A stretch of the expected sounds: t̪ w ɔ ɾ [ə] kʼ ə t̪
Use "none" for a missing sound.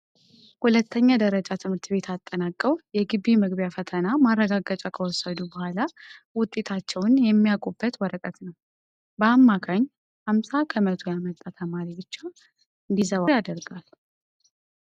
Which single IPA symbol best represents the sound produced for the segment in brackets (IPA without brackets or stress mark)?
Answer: ə